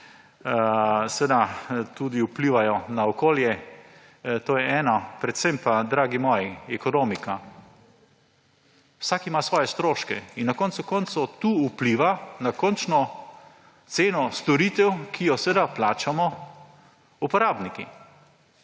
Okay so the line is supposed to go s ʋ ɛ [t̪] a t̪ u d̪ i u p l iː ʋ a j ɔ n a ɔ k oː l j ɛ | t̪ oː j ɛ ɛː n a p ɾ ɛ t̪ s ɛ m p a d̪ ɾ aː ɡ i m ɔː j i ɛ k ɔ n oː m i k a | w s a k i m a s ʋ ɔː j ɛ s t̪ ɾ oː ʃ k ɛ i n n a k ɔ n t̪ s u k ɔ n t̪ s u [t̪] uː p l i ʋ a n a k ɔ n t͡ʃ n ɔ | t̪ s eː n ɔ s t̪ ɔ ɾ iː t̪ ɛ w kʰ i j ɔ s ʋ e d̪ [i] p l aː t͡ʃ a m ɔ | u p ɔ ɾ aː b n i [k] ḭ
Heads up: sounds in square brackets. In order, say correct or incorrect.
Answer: incorrect: d̪, correct, incorrect: a, correct

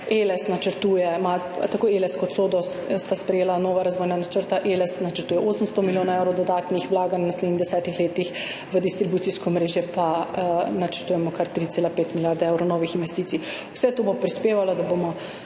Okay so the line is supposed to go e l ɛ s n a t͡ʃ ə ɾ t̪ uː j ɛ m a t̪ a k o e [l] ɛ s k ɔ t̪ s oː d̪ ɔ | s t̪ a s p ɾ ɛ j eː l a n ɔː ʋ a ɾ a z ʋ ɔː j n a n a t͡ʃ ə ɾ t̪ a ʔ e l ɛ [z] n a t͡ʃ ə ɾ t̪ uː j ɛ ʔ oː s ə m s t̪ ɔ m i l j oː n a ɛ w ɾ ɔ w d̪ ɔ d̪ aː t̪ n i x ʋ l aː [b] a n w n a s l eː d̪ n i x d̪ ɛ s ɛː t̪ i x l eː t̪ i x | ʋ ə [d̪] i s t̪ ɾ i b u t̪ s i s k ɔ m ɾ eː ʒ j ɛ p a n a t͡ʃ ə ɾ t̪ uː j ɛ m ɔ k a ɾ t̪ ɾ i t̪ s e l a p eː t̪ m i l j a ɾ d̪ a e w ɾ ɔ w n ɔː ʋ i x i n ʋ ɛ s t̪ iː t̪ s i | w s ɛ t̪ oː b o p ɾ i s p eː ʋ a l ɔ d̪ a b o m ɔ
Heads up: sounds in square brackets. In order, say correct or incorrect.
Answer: correct, incorrect: s, incorrect: ɡ, correct

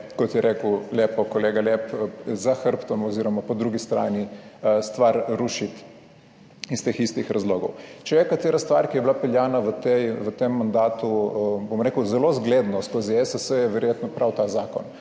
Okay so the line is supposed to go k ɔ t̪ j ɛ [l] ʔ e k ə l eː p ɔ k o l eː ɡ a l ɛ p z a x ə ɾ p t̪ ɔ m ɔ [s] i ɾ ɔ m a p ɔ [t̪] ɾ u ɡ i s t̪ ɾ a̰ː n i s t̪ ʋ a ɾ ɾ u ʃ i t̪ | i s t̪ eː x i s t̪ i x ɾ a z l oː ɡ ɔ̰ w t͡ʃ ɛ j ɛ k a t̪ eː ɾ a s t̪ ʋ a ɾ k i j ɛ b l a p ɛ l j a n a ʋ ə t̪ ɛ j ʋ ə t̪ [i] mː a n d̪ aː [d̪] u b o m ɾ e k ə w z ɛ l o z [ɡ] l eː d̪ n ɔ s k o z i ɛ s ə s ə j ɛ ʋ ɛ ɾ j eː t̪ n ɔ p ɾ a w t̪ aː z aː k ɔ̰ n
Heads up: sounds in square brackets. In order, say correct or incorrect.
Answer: incorrect: ɾ, incorrect: z, incorrect: d̪, incorrect: e, incorrect: t̪, correct

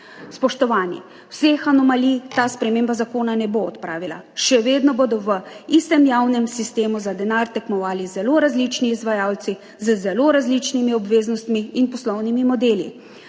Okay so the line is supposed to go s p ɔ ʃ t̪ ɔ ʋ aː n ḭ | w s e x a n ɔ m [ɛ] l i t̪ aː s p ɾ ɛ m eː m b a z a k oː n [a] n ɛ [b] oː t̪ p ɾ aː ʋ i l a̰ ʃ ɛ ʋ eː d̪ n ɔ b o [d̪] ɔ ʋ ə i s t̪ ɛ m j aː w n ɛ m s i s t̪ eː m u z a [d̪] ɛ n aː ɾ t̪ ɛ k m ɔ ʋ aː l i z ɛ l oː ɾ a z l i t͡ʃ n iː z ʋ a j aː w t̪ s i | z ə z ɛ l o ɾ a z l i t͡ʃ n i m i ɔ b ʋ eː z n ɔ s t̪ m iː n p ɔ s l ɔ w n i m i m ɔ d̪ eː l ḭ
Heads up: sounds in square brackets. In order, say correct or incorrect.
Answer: incorrect: a, correct, correct, correct, correct

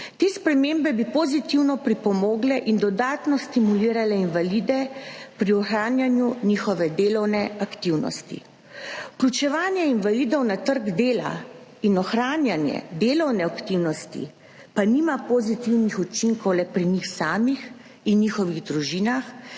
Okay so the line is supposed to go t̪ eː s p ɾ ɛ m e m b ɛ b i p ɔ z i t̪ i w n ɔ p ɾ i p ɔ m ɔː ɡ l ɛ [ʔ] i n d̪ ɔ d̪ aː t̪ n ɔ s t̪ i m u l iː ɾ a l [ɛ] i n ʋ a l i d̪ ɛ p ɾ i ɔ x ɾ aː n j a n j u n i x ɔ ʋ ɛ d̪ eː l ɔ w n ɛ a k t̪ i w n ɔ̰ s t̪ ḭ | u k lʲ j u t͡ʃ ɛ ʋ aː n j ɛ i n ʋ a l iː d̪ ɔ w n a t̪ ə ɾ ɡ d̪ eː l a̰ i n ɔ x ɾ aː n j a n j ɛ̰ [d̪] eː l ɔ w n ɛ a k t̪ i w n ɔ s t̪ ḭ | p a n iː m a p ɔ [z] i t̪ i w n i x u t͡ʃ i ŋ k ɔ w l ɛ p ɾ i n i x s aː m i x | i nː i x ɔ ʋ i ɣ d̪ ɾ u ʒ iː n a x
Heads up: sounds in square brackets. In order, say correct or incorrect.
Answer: correct, correct, correct, correct

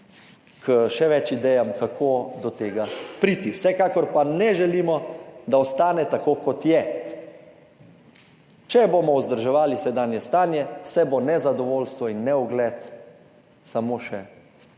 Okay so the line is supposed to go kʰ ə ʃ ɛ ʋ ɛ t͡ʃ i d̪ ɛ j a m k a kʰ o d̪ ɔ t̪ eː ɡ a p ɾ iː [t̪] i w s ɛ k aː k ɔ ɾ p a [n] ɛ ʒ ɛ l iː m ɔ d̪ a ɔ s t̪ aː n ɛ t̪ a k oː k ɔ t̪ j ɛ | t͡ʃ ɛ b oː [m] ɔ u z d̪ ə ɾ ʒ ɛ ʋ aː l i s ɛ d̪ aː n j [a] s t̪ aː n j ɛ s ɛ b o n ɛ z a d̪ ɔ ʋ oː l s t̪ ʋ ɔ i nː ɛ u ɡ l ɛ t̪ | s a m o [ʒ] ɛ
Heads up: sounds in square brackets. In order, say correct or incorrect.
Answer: correct, correct, correct, incorrect: ɛ, incorrect: ʃ

